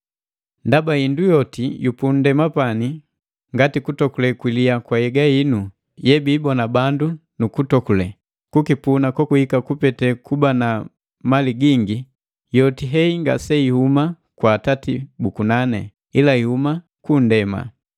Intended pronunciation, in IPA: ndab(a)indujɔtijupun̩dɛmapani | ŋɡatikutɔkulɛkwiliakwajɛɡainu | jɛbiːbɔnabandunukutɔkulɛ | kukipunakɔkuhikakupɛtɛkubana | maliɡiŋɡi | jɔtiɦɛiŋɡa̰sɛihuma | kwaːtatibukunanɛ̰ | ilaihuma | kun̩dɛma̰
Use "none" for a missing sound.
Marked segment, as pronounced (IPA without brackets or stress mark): a